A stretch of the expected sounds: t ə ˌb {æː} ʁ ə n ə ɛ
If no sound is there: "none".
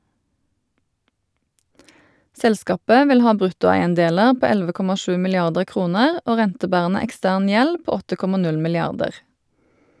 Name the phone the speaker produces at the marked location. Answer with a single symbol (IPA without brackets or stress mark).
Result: æː